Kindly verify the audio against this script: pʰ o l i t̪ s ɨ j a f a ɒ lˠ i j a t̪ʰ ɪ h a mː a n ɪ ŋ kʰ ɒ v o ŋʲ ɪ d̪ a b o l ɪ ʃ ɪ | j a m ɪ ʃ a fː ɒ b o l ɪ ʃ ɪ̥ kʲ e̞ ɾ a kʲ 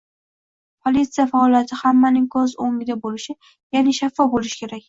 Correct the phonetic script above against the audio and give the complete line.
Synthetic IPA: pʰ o l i t̪ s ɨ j a f a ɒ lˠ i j a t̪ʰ ɪ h a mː a n ɪ ŋ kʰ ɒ z o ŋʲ ɪ d̪ a b o l ɪ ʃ ɪ | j a n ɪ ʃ a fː ɒ b o l ɪ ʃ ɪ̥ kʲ e̞ ɾ a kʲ